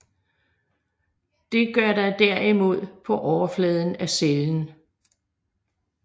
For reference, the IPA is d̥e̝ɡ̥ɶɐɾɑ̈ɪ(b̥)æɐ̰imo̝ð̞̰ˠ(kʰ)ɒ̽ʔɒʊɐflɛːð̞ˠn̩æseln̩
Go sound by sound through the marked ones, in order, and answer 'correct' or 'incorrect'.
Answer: incorrect, incorrect

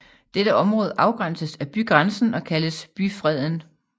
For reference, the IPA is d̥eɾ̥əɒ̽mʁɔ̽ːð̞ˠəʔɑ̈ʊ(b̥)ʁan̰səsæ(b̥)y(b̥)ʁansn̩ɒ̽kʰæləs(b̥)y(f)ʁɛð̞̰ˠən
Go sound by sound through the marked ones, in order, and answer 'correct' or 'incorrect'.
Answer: incorrect, correct, incorrect, correct, correct

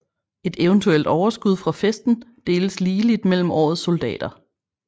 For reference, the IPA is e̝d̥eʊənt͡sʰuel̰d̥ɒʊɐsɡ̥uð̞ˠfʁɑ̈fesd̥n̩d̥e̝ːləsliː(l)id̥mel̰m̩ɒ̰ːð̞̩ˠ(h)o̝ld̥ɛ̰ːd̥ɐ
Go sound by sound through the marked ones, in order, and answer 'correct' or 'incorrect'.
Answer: correct, incorrect

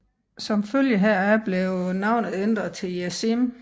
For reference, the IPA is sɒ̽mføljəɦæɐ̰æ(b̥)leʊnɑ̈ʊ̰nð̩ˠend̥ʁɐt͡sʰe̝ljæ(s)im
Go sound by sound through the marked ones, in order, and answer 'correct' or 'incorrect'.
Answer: correct, correct

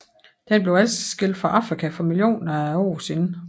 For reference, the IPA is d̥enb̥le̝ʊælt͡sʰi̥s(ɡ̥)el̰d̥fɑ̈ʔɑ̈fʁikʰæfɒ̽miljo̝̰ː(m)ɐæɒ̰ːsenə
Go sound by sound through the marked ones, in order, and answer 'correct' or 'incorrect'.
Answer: correct, incorrect

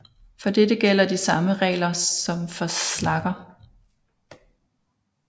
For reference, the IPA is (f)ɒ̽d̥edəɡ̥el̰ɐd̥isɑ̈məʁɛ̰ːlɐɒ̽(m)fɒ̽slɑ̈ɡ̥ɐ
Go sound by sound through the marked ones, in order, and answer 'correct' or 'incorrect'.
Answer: correct, correct

